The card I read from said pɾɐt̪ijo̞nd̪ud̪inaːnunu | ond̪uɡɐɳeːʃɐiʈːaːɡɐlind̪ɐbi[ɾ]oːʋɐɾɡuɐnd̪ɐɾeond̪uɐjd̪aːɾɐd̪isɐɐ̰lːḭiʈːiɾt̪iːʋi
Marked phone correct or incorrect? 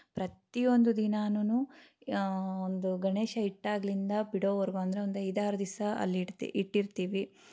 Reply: incorrect